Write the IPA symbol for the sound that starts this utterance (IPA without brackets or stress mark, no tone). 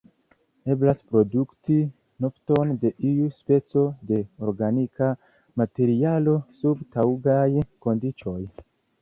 e̞